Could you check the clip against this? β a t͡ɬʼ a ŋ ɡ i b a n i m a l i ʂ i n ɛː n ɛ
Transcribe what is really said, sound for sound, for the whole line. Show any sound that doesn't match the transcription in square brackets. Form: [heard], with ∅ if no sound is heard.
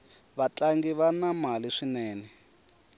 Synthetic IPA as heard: β a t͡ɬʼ a ŋ ɡ i [β] a n [a] m a l i ʂ i n ɛː n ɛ